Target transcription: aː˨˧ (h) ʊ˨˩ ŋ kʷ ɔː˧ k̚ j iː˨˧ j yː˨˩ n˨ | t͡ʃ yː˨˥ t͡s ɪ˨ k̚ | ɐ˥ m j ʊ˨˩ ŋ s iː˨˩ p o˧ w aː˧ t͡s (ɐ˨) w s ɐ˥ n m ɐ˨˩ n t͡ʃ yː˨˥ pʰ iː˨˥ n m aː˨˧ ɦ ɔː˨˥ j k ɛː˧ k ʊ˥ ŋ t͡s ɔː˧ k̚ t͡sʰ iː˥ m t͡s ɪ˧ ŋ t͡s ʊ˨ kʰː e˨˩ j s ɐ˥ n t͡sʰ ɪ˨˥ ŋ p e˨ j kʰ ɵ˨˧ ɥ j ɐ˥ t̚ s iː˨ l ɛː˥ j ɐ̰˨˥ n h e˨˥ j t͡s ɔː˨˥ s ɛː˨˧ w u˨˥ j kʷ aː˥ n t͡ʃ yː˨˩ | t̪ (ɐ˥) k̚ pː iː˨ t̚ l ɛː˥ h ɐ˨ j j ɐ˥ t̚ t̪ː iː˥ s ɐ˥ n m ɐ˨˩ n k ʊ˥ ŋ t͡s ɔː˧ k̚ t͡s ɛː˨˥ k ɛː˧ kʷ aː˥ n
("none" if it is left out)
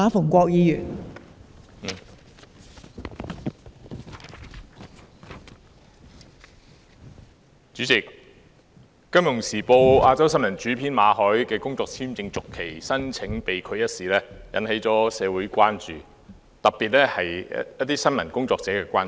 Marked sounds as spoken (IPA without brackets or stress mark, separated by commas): f, ɐ˥, ɐ˨